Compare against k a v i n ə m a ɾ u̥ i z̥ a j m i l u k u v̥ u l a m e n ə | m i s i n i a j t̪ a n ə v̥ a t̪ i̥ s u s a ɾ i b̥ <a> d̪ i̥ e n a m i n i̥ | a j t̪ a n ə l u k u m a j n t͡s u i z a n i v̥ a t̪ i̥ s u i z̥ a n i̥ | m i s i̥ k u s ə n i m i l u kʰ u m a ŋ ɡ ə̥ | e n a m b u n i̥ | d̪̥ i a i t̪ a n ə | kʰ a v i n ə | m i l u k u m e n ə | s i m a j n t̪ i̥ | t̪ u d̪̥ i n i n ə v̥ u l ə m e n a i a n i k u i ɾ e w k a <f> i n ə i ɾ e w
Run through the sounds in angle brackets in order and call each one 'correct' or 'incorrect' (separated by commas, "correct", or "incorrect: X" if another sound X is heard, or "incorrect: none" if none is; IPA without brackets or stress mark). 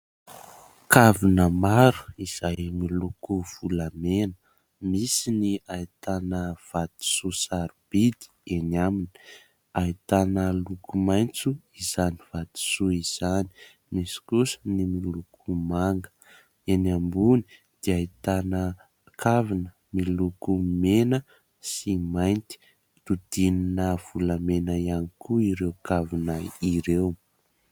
incorrect: i, incorrect: v